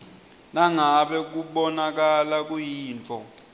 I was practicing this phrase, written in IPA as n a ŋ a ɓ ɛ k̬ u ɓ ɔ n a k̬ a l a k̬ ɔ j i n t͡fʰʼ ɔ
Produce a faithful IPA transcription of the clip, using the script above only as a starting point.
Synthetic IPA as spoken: n a ŋ a ɓ ɛ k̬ u ɓ ɔ n a k̬ a l a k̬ u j iː n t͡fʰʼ ɔ